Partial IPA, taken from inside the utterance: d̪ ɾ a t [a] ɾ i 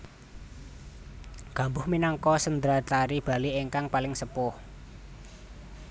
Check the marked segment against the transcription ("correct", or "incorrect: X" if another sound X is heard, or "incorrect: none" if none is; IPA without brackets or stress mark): correct